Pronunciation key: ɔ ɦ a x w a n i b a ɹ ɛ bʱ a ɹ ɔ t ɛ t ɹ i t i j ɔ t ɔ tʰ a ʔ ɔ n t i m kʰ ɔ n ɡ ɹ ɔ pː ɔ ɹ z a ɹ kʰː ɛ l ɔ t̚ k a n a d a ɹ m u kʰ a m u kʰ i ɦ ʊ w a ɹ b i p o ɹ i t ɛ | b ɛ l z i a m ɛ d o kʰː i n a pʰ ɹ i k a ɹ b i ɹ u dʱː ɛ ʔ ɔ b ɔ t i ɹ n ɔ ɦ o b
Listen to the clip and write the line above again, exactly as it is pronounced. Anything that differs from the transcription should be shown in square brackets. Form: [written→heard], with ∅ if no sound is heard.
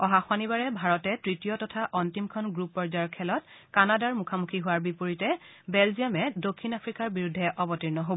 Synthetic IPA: ɔ ɦ a x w a n i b a ɹ ɛ bʱ a ɹ ɔ t ɛ t ɹ i t i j ɔ t ɔ tʰ a ʔ ɔ n t i m kʰ ɔ n ɡ ɹ [ɔ→u] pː ɔ ɹ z a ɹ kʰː ɛ l ɔ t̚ k a n a d a ɹ m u kʰ a m u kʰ i ɦ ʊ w a ɹ b i p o ɹ i t ɛ | b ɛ l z i a m ɛ d o kʰː i n a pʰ ɹ i k a ɹ b i ɹ u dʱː ɛ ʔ ɔ b ɔ t i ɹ n ɔ ɦ o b